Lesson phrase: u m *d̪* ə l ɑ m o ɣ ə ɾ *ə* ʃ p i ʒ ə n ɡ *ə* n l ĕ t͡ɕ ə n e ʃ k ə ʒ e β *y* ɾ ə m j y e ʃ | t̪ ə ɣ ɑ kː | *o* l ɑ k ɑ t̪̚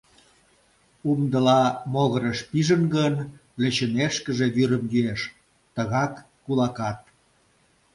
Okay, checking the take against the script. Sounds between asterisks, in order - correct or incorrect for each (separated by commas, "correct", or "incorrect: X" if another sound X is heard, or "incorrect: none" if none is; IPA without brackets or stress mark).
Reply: correct, correct, correct, correct, incorrect: u